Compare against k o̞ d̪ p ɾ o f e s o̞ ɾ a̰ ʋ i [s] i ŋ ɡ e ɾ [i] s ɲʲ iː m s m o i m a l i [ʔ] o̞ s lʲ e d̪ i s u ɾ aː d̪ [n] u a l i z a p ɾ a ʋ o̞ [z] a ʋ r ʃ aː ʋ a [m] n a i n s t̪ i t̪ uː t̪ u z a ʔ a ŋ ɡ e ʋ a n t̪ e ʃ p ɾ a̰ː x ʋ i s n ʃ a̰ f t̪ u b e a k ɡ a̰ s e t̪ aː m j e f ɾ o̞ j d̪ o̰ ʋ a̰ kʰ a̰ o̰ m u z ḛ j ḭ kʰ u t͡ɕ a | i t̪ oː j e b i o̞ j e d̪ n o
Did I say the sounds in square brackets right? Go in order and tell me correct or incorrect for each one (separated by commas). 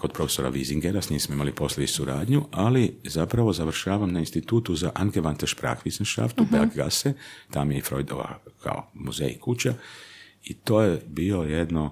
incorrect, incorrect, incorrect, incorrect, correct, correct